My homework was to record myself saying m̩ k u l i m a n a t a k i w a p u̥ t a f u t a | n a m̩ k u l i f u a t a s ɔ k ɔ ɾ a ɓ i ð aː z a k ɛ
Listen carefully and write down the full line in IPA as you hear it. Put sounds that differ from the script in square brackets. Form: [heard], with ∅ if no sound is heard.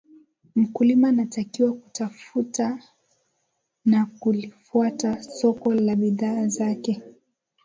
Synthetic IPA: m̩ k u l i m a n a t a k i w a [k] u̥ t a f u t a | n a [∅] k u l i f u a t a s ɔ k ɔ [l] a ɓ i ð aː z a k ɛ